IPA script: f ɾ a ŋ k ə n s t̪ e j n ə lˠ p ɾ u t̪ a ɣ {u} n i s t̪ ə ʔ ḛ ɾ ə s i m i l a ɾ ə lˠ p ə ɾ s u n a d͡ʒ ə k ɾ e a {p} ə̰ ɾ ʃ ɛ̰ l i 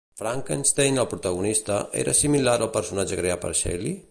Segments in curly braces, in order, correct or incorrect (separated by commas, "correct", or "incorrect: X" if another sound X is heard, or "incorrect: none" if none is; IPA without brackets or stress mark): correct, correct